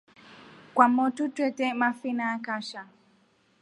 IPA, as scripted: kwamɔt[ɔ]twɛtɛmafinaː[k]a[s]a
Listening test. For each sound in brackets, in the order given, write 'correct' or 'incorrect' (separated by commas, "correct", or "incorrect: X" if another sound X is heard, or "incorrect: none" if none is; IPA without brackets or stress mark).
incorrect: u, correct, incorrect: ʃ